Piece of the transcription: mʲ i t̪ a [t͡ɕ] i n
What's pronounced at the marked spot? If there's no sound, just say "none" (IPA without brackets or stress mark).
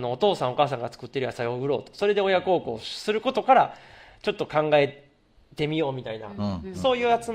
none